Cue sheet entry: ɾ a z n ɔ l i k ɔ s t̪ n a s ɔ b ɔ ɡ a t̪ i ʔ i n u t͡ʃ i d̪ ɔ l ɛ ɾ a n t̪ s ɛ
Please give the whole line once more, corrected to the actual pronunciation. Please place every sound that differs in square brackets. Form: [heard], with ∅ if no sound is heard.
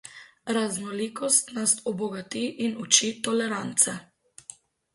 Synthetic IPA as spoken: ɾ a z n ɔ l i k ɔ s t̪ n a s ɔ b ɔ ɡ a t̪ i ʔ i n u t͡ʃ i [t̪] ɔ l ɛ ɾ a n t̪ s ɛ